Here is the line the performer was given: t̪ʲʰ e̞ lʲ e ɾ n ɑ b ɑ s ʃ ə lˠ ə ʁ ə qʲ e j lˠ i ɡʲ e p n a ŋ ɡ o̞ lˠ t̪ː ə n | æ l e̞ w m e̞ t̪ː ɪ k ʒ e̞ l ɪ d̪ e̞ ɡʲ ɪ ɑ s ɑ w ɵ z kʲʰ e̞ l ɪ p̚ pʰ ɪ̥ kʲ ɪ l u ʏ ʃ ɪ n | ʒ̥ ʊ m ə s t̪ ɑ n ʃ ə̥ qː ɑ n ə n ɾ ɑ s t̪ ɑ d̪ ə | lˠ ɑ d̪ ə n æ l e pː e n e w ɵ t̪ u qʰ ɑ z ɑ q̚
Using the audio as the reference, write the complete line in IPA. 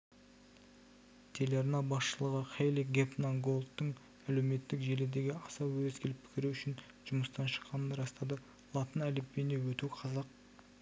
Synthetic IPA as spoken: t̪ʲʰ e̞ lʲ e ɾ n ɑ b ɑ s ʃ ə lˠ ə ʁ ə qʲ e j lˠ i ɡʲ e p n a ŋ ɡ o̞ lˠ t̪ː ə ɴ | æ l e̞ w m e̞ t̪ː ɪ k ʒ e̞ l ɪ d̪ e̞ ɡʲ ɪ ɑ s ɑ w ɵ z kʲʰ e̞ l ɪ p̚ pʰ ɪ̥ kʲ ɪ ɾ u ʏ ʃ ɪ n | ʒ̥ ʊ m ə s t̪ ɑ n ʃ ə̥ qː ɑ n ə n ɾ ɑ s t̪ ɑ d̪ ə | lˠ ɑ t̪ ə n æ l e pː e n e w ɵ t̪ u qʰ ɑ z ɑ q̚